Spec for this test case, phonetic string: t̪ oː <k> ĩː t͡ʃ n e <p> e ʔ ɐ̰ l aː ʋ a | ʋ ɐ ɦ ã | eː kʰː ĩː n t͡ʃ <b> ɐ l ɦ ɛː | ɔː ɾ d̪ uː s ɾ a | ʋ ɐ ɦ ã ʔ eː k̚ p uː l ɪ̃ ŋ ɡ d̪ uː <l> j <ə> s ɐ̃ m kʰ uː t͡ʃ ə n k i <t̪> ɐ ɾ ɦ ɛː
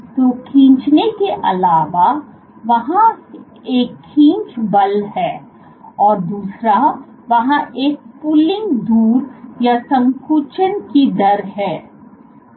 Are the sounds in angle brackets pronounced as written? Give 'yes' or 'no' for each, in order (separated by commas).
no, no, yes, no, no, no